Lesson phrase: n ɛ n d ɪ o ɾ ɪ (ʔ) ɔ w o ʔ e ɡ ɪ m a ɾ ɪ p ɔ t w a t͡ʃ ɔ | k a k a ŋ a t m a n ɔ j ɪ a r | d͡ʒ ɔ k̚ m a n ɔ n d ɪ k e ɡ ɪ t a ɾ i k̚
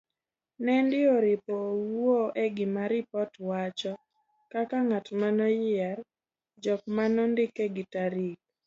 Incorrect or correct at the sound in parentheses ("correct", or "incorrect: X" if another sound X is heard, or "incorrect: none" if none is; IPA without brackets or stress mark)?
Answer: incorrect: p